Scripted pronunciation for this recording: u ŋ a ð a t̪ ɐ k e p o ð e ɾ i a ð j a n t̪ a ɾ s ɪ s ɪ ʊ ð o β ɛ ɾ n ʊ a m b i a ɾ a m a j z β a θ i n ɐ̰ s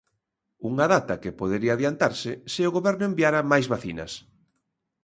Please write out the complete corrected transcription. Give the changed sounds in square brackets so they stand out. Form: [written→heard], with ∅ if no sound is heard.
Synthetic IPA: u ŋ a ð a t̪ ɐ k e p o ð e ɾ i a ð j a n t̪ a ɾ s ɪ s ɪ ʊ [ð→ɣ] o β ɛ ɾ n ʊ [a→e] m b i a ɾ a m a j z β a θ i n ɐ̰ s